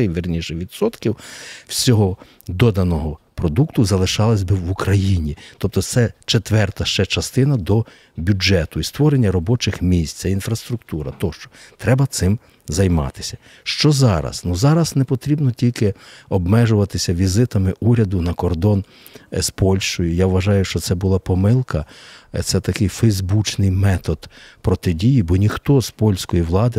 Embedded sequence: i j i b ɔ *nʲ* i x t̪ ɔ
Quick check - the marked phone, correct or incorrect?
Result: correct